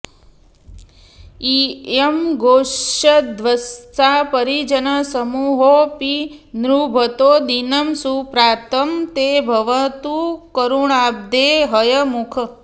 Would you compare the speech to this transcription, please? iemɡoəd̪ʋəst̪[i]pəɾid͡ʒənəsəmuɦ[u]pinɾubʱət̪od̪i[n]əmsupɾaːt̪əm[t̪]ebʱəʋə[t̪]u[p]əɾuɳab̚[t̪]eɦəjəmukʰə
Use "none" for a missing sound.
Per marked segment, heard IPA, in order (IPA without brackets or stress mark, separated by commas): a, o, n, t̪, t̪, k, d̪